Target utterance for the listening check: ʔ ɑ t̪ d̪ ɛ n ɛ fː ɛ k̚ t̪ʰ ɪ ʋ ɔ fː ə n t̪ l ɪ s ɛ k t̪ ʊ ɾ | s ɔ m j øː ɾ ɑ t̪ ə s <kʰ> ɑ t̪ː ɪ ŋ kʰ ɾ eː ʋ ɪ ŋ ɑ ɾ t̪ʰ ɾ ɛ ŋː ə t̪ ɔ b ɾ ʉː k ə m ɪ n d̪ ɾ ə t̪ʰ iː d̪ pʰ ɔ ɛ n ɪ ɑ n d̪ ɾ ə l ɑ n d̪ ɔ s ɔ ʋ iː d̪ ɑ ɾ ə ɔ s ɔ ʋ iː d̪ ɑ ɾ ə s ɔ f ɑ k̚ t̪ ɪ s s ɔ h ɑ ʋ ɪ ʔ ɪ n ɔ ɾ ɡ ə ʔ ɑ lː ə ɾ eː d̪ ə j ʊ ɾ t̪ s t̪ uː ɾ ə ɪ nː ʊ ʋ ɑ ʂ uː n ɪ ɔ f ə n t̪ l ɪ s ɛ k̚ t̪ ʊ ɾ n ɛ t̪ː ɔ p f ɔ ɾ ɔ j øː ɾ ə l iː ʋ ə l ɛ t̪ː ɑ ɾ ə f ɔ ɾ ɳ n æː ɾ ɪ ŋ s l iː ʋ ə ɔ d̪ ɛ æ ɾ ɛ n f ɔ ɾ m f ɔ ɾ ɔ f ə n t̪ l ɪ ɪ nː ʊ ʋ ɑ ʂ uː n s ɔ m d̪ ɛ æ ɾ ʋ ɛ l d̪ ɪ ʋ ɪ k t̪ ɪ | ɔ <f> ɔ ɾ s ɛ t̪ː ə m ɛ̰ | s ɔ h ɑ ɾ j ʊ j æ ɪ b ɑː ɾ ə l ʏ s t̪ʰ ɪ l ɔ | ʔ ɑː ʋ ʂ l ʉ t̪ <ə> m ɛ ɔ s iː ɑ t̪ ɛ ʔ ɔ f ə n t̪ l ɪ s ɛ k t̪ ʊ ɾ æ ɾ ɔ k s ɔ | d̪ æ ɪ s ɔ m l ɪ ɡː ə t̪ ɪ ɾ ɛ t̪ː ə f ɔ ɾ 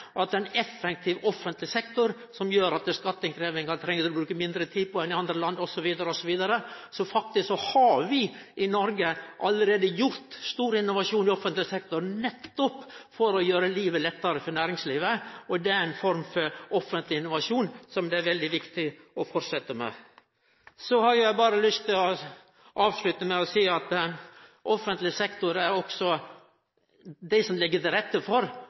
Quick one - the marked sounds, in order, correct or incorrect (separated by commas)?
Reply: incorrect, correct, correct